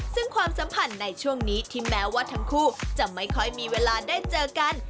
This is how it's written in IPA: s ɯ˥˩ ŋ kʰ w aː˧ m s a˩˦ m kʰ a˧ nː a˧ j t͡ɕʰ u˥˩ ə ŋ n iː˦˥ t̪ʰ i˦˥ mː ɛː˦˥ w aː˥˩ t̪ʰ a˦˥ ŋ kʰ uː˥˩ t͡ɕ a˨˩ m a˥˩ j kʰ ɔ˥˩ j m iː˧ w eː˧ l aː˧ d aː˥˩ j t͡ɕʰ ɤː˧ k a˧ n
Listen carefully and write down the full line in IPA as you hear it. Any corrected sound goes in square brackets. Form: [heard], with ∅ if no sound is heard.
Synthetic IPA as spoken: s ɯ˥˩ ŋ kʰ w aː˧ m s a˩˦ m [pʰ] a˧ nː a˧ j t͡ɕʰ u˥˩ ə ŋ n iː˦˥ t̪ʰ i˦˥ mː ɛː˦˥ w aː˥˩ t̪ʰ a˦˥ ŋ kʰ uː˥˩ t͡ɕ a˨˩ m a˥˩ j kʰ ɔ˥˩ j m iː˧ w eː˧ l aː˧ d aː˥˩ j [t͡ɕ] ɤː˧ k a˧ n